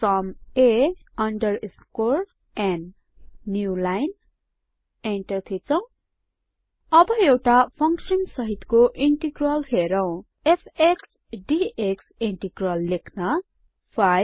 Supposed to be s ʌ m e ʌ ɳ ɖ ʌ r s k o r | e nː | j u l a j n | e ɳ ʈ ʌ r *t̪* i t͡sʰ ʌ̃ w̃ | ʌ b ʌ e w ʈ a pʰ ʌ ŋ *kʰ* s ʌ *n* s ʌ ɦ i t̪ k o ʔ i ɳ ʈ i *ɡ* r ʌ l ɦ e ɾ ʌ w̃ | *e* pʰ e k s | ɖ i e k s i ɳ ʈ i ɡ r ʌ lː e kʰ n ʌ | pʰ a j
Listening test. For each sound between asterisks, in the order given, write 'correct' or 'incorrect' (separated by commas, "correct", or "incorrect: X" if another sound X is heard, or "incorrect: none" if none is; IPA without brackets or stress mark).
incorrect: t̪ʰ, incorrect: k, correct, correct, correct